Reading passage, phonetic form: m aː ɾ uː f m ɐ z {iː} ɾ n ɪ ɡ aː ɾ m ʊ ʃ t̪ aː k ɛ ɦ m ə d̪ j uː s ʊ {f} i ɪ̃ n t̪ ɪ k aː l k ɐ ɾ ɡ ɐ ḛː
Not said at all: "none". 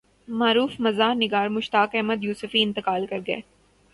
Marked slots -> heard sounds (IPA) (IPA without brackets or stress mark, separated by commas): aː, f